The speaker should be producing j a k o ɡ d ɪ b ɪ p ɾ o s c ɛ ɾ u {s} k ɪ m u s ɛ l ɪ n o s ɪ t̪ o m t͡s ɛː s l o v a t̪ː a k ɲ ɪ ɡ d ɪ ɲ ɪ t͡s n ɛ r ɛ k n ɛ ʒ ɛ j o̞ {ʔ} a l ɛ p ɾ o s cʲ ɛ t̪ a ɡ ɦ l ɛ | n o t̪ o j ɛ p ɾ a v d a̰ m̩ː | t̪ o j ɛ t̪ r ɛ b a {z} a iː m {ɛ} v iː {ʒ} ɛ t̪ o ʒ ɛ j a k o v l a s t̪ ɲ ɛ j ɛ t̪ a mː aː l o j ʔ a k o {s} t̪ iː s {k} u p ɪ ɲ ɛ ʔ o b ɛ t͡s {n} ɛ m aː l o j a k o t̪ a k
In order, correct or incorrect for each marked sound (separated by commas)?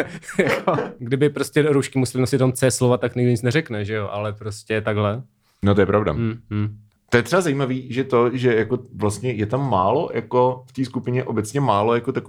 incorrect, correct, correct, incorrect, correct, incorrect, correct, incorrect